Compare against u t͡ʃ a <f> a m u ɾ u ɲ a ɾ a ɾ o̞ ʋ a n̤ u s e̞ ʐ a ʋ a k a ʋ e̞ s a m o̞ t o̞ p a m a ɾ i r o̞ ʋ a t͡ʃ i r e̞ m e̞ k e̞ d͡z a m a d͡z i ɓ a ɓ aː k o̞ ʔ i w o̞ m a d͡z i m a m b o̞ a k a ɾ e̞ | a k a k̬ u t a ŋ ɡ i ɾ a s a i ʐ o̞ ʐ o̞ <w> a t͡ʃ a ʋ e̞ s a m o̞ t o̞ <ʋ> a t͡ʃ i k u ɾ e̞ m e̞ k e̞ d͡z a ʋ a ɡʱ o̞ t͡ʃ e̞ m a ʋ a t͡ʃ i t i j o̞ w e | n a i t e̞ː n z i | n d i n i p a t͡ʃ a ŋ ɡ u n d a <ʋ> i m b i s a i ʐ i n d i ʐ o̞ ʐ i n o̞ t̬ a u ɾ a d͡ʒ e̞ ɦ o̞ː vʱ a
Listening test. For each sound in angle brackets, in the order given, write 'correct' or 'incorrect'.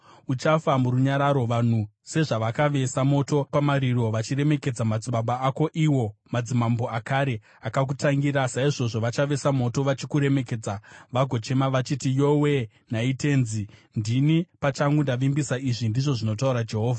correct, incorrect, correct, correct

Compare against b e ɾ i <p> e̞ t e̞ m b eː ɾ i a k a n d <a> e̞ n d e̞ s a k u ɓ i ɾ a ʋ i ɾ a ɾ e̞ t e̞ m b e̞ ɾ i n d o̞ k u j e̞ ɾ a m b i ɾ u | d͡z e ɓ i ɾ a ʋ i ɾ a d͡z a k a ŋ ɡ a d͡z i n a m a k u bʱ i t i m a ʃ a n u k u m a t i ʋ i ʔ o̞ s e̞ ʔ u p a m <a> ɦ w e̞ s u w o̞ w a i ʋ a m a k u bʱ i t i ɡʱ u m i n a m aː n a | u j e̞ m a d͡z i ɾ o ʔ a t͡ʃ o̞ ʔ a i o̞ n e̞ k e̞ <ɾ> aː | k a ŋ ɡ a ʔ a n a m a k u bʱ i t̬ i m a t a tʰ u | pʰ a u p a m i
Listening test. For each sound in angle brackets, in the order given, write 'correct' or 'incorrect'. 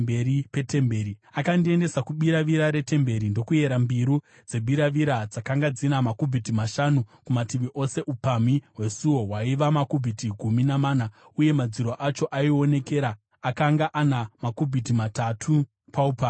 correct, incorrect, incorrect, correct

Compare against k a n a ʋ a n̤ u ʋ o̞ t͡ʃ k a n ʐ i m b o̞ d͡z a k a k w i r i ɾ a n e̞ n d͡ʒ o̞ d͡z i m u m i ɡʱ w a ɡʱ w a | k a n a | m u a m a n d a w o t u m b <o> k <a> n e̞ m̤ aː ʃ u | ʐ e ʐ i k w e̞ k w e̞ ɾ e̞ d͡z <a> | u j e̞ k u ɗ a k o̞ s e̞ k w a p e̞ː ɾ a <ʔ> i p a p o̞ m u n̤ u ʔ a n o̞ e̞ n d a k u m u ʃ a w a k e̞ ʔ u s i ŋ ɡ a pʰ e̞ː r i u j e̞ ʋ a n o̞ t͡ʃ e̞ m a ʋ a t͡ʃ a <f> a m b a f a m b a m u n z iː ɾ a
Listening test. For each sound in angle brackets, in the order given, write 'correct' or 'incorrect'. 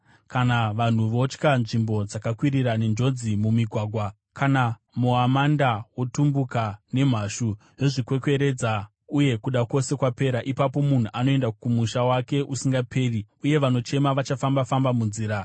incorrect, correct, correct, correct, correct

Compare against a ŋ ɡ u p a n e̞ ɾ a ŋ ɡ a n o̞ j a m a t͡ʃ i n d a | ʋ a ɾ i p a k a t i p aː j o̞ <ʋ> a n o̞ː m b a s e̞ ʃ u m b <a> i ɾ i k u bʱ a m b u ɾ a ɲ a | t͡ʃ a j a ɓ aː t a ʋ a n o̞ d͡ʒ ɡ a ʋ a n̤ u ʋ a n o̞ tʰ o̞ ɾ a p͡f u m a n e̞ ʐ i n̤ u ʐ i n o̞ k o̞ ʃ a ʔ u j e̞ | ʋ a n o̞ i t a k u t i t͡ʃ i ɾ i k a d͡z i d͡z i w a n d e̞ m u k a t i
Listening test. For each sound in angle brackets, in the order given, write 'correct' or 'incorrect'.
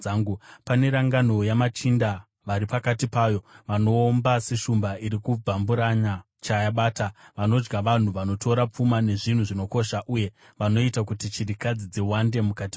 correct, correct

